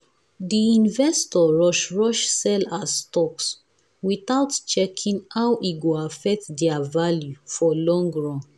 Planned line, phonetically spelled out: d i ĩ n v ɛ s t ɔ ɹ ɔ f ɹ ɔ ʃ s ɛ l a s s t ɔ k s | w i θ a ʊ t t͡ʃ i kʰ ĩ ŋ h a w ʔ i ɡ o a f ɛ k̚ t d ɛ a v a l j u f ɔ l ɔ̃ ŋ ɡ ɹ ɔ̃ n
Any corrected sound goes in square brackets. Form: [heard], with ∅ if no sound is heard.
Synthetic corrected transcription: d i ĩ n v ɛ s t ɔ ɹ ɔ [ʃ] ɹ ɔ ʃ s ɛ l a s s t ɔ k s | w i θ a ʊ t t͡ʃ [ɛ] kʰ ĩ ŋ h a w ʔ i ɡ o a f ɛ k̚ t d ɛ a v a l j u f ɔ l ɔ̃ ŋ ɡ ɹ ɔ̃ n